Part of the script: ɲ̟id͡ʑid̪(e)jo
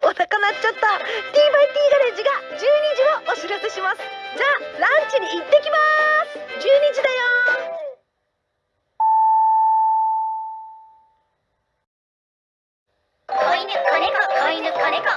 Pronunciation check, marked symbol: incorrect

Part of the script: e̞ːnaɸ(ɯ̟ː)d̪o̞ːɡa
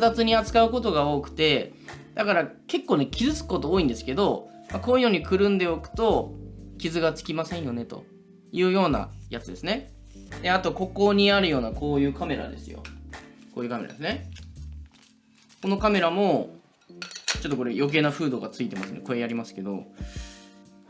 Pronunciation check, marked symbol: correct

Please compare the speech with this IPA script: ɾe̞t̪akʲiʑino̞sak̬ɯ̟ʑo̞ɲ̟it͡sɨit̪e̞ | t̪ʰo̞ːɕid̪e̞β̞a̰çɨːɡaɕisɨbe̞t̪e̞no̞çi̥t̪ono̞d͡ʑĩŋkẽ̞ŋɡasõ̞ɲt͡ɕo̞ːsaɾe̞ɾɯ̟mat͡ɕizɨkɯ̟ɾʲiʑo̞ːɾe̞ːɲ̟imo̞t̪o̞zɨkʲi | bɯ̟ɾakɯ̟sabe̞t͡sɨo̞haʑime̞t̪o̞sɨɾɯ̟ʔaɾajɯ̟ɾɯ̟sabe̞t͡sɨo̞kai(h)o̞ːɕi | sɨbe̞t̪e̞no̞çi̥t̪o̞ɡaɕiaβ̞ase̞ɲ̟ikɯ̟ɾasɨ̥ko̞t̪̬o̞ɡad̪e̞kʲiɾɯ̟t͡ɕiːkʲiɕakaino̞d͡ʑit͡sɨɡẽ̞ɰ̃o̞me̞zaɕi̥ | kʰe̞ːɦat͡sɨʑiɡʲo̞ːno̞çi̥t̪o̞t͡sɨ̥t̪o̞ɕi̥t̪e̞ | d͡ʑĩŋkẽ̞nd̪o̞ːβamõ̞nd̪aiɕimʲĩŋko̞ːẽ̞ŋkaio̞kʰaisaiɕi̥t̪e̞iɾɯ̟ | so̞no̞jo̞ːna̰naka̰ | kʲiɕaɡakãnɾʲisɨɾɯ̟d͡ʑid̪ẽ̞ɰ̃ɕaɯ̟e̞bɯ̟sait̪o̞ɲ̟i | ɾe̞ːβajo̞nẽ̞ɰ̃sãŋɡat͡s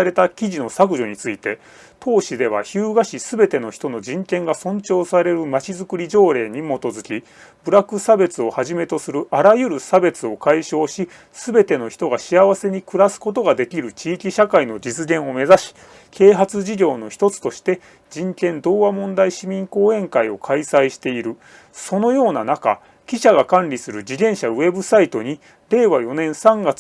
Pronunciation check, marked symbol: incorrect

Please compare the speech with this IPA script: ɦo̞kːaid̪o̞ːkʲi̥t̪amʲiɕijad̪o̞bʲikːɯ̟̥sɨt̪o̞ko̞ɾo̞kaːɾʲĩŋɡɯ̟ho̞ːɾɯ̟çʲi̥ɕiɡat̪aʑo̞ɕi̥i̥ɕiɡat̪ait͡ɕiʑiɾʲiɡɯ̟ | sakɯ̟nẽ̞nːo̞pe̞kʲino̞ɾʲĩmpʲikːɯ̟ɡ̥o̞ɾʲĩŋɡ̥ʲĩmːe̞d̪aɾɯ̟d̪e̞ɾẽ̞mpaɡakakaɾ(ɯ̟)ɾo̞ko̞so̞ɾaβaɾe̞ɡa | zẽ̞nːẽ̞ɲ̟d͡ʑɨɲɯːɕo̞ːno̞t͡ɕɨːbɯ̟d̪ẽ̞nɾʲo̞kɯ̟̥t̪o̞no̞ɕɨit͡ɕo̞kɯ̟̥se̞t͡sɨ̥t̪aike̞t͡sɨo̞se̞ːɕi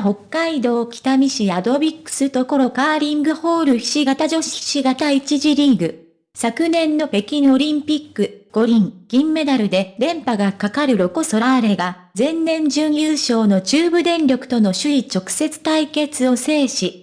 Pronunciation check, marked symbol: correct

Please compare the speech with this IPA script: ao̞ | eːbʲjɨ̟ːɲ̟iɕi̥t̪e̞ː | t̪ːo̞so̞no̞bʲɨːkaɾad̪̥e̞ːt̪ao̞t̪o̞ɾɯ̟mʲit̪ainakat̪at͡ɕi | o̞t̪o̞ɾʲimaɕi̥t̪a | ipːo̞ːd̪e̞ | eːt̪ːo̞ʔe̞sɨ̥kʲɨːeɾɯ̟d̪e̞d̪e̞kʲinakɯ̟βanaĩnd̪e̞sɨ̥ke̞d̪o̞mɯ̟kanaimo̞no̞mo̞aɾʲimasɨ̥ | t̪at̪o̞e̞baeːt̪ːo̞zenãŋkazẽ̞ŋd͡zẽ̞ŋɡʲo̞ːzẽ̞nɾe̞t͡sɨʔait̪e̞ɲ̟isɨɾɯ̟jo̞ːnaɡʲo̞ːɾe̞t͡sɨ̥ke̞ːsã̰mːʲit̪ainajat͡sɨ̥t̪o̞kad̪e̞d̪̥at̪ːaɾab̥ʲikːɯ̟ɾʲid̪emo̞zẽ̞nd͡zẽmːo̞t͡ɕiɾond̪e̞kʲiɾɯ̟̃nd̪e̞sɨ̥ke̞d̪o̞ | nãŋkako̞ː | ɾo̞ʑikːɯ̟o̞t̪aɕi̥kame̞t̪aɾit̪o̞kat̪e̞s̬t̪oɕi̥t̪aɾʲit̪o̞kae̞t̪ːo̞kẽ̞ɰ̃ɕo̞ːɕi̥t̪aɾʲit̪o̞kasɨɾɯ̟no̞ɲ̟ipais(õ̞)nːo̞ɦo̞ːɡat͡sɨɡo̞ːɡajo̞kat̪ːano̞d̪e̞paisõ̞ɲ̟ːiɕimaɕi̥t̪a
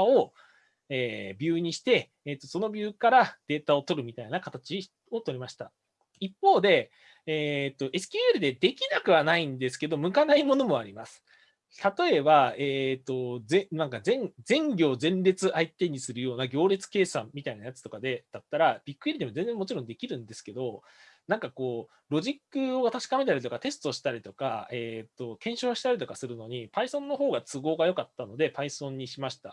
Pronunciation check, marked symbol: correct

